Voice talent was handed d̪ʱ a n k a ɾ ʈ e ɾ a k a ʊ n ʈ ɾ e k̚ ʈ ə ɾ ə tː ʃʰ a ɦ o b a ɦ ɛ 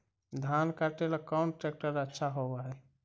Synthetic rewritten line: d̪ʱ a n k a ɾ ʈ e l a k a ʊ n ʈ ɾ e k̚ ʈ ə ɾ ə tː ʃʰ a ɦ o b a ɦ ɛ